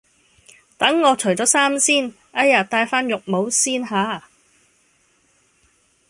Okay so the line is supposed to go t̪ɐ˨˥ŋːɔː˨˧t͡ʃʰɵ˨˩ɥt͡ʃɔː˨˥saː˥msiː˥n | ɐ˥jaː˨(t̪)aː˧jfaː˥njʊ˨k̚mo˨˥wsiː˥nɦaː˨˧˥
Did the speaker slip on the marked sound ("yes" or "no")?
no